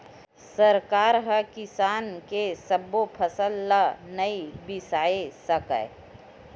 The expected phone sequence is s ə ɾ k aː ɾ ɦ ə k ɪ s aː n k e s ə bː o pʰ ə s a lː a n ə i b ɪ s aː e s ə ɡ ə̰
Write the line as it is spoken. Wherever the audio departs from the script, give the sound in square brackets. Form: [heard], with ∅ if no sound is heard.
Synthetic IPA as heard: s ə ɾ k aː ɾ ɦ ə k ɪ s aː n k e s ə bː o pʰ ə s [ə] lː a n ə i b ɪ s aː e s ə [k] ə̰